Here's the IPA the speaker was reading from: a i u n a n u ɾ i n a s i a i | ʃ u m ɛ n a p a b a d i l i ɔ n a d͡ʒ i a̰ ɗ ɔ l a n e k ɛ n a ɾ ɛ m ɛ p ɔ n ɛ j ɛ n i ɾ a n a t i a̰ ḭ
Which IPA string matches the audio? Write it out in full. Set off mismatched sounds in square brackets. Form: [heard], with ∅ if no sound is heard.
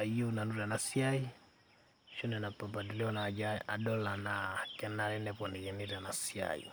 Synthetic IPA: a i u n a n u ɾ [a] n a s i a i | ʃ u [n] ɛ n a p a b a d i l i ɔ n a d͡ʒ [a] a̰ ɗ ɔ l a n [a] k ɛ n a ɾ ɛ [n] ɛ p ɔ n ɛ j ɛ n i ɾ a n a [s] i a̰ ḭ